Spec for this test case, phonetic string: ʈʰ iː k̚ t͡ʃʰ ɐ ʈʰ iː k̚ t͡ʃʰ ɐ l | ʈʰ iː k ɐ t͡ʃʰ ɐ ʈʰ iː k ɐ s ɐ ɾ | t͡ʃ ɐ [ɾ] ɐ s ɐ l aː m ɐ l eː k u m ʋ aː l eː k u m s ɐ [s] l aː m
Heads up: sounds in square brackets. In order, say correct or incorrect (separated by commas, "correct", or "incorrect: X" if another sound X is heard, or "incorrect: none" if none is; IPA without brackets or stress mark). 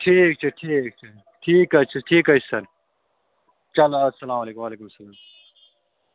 incorrect: l, incorrect: none